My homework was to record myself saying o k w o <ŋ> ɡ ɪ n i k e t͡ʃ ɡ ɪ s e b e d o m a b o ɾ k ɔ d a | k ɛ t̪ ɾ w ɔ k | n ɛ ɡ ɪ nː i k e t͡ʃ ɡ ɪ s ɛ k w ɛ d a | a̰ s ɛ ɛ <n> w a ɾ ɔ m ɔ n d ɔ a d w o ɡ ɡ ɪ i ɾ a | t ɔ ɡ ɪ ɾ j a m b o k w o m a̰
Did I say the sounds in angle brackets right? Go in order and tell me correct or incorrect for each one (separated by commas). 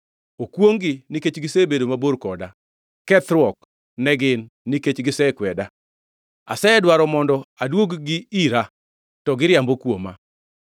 correct, incorrect